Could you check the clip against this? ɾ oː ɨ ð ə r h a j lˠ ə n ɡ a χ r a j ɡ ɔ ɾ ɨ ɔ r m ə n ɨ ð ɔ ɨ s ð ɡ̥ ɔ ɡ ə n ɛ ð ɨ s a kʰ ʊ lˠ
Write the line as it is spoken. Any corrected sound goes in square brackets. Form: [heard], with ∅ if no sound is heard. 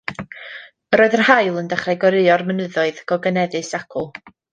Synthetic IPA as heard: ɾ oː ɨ ð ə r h a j lˠ ə n [d] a χ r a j ɡ ɔ ɾ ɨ ɔ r m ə n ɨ ð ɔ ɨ [∅] ð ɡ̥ ɔ ɡ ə n ɛ ð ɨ s a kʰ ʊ lˠ